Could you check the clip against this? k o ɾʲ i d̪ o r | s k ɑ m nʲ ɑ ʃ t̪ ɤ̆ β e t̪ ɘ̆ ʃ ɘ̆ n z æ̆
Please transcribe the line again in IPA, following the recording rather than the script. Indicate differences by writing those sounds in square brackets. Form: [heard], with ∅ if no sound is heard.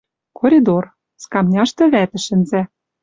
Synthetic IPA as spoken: k o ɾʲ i d̪ o r | s k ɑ m nʲ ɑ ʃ t̪ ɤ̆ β [æ] t̪ ɘ̆ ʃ ɘ̆ n z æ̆